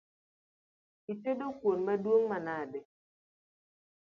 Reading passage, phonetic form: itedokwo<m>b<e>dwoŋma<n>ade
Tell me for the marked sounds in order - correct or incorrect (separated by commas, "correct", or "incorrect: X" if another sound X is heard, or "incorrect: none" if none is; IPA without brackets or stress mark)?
incorrect: n, incorrect: a, correct